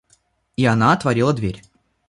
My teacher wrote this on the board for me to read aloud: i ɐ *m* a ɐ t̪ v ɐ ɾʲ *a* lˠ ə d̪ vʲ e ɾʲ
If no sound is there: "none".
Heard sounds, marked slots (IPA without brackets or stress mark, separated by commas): n, i